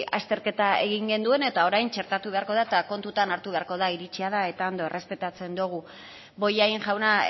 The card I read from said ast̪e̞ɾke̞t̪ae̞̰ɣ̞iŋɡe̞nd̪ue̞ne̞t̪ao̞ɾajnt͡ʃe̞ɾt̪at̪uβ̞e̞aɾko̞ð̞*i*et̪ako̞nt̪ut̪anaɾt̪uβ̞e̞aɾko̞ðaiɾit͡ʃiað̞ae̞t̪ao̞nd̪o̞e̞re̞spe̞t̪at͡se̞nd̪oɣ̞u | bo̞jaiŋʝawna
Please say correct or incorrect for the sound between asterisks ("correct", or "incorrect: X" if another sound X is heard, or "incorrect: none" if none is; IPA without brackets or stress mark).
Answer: incorrect: a